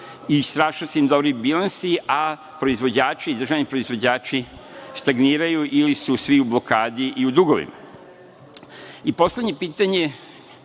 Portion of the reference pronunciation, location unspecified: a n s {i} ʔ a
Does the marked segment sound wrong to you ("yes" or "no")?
no